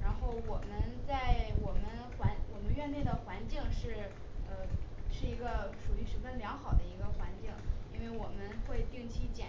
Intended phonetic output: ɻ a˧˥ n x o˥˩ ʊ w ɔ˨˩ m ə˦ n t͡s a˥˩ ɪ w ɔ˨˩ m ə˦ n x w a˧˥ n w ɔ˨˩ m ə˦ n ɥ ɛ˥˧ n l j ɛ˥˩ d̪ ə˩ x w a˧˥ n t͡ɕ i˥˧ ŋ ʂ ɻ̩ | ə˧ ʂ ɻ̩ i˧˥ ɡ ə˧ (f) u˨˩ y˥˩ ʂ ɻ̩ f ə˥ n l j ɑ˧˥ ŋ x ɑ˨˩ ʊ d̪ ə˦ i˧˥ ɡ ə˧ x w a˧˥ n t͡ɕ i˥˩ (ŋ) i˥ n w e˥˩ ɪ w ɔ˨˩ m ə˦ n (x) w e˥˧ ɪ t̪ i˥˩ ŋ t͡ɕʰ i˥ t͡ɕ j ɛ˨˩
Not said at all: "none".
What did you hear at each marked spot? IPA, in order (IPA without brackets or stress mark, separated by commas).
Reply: ʂ, ŋ, x